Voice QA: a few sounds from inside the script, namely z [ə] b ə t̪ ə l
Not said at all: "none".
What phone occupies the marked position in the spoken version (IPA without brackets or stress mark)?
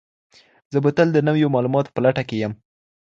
ə